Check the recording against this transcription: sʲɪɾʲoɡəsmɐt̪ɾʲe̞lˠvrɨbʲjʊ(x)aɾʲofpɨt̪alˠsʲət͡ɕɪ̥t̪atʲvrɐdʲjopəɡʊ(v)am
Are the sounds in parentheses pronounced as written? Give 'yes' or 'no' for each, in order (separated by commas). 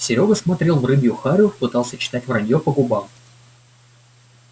yes, no